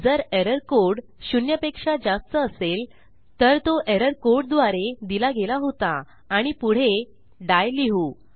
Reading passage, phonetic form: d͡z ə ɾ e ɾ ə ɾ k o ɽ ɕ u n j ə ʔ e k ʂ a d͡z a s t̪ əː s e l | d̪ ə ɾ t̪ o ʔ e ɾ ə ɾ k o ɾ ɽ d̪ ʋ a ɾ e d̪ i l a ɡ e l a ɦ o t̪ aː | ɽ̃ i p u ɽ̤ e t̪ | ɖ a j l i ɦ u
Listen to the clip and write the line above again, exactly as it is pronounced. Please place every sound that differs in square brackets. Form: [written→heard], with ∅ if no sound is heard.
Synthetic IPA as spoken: d͡z ə ɾ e ɾ ə ɾ k o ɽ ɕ u n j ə [ʔ→p] e k ʂ a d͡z a s t̪ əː s e l | [d̪→t̪] ə ɾ t̪ o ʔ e ɾ ə ɾ k o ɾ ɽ d̪ ʋ a ɾ e d̪ i l a ɡ e l a ɦ o t̪ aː | ɽ̃ i p u ɽ̤ e [t̪→∅] | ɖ a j l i ɦ u